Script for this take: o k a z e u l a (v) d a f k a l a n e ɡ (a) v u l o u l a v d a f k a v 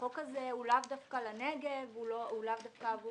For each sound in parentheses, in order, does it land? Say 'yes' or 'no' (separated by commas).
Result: yes, no